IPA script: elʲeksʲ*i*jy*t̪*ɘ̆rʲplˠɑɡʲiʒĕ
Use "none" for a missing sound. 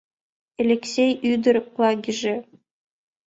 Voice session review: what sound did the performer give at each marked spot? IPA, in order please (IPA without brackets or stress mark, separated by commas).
e, d̪